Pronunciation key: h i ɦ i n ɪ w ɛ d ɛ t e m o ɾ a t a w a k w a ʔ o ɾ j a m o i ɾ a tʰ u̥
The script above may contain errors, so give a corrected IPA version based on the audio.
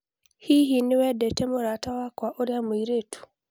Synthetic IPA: h i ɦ i n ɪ w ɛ d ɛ t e m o ɾ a t a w a k w a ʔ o ɾ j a m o i ɾ e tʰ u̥